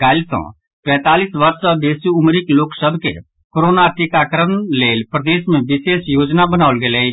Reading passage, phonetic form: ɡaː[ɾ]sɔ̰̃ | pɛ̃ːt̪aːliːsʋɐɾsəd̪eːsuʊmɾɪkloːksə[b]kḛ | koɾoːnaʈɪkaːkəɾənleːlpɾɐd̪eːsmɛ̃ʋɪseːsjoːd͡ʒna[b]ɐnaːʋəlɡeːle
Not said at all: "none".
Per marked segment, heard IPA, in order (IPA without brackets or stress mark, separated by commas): l, b, b